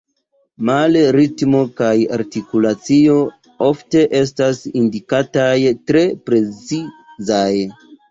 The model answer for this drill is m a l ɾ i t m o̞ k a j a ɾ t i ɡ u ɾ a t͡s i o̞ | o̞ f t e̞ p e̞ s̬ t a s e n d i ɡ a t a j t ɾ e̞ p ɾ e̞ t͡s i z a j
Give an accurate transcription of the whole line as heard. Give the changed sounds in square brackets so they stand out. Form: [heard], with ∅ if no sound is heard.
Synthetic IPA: m a l ɾ i t m o̞ k a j a ɾ t i [k] u [l] a t͡s i o̞ | o̞ f t e̞ [ʔ] e̞ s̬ t a s [i] n d i [k] a t a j t ɾ e̞ p ɾ e̞ t͡s i z a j

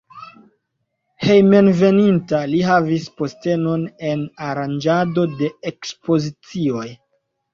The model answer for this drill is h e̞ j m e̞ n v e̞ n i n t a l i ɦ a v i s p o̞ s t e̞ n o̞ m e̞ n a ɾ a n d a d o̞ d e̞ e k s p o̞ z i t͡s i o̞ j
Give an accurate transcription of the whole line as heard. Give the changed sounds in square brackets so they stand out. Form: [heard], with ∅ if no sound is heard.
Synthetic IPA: h e̞ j m e̞ n v e̞ n i n t a l i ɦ a v i s p o̞ s t e̞ n o̞ [n] e̞ n a ɾ a n [d͡ʒ] a d o̞ d e̞ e k s p o̞ z i t͡s i o̞ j

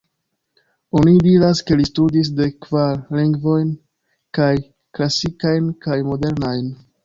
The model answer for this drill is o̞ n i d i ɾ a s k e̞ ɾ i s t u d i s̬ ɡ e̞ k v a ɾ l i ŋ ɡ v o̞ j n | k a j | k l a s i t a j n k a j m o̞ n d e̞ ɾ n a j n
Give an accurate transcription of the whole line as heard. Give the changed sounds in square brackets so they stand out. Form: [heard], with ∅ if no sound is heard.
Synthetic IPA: o̞ n i d i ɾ a s k e̞ [l] i s t u d i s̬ [d] e̞ k v a ɾ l i ŋ ɡ v o̞ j n | k a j | k l a s i [k] a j n k a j m o̞ [∅] d e̞ ɾ n a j n

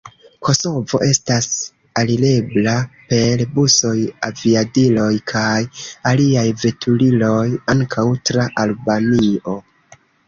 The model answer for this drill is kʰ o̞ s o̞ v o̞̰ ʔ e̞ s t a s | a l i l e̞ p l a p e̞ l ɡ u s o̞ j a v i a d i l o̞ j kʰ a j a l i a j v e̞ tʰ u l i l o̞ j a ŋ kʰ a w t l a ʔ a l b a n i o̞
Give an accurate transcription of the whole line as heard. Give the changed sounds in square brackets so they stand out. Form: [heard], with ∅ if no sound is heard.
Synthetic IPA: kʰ o̞ s o̞ v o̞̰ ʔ e̞ s t a s | a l i l e̞ [b] l a p e̞ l [b] u s o̞ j a v i a d i l o̞ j kʰ a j a l i a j v e̞ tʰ u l i l o̞ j a ŋ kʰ a w t [ɾ] a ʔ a l b a n i o̞

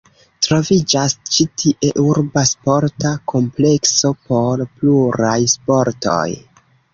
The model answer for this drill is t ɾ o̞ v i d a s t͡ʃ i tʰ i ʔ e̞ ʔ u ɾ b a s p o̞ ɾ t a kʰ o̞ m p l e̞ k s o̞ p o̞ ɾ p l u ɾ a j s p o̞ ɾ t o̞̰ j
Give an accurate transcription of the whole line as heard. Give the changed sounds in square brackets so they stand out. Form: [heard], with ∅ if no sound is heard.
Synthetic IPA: t ɾ o̞ v i [d͡ʒ] a s t͡ʃ i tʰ i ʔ e̞ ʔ u ɾ b a s p o̞ ɾ t a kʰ o̞ m p l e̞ k s o̞ p o̞ ɾ p l u ɾ a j s p o̞ ɾ t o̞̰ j

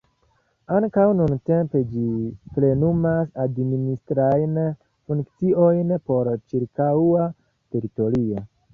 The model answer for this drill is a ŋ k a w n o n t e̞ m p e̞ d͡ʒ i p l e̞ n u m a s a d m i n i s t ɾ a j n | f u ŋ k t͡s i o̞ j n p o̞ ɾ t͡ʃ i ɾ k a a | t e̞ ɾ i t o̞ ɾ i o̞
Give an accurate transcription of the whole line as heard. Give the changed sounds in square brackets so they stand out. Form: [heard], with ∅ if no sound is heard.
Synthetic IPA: a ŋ k a w n [u] n t e̞ m p e̞ d͡ʒ i p l e̞ n u m a s a d m i n i s t ɾ a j n | f u ŋ k t͡s i o̞ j n p o̞ ɾ t͡ʃ i ɾ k a a | t e̞ ɾ i t o̞ ɾ i o̞

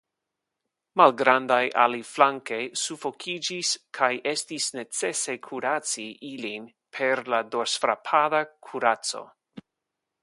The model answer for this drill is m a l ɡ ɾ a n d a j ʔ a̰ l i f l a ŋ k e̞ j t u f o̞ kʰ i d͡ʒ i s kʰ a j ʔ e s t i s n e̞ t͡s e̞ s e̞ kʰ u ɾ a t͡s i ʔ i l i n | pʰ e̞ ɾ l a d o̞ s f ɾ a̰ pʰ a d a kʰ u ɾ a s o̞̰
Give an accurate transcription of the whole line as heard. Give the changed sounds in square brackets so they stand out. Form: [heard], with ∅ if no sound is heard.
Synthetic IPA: m a l ɡ ɾ a n d a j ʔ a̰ l i f l a ŋ k e̞ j [s] u f o̞ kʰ i d͡ʒ i s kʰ a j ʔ e s t i s n e̞ t͡s e̞ s e̞ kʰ u ɾ a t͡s i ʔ i l i n | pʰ e̞ ɾ l a d o̞ s f ɾ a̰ pʰ a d a kʰ u ɾ a [t͡s] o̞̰

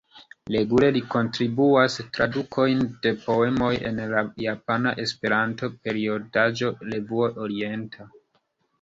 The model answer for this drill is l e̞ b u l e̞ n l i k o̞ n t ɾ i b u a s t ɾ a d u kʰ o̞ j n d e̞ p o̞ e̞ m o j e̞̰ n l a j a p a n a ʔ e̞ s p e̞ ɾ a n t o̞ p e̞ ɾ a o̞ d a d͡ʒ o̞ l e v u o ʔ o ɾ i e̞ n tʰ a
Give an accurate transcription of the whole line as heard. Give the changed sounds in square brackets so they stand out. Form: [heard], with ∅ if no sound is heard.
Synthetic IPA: l e̞ [ɡ] u l e̞ [∅] l i k o̞ n t ɾ i b u a s t ɾ a d u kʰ o̞ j n d e̞ p o̞ e̞ m o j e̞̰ n l a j a p a n a ʔ e̞ s p e̞ ɾ a n t o̞ p e̞ ɾ [i] o̞ d a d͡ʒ o̞ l e v u o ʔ o ɾ i e̞ n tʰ a

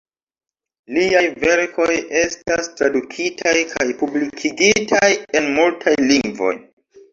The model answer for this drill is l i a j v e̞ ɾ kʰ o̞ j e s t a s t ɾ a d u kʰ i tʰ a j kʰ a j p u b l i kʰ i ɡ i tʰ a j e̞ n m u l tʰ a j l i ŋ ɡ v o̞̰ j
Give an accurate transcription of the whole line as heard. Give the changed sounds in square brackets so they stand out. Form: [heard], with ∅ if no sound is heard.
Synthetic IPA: l i a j v e̞ ɾ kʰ o̞ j e s t a s t ɾ a d u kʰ i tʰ a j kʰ a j p u b l i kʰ i ɡ i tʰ a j e̞ n m u l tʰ a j l i ŋ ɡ v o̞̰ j

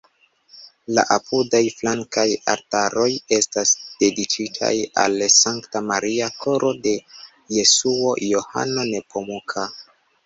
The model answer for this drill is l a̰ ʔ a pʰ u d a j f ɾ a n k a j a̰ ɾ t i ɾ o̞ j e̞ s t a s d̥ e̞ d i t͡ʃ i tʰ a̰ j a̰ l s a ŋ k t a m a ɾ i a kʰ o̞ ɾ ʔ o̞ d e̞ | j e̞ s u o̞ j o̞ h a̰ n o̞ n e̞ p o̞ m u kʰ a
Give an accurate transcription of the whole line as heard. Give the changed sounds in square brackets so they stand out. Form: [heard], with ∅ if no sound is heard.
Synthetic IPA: l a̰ ʔ a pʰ u d a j f [l] a [ŋ] k a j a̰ ɾ t [a] ɾ o̞ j e̞ s t a s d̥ e̞ d i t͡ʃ i tʰ a̰ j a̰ l s a ŋ k t a m a ɾ i a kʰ o̞ ɾ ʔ o̞ d e̞ | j e̞ s u o̞ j o̞ h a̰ n o̞ n e̞ p o̞ m u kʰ a

